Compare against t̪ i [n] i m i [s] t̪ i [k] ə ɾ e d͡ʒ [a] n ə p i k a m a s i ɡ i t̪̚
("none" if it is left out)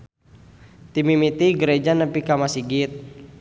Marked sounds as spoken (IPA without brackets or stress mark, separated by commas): m, none, ɡ, a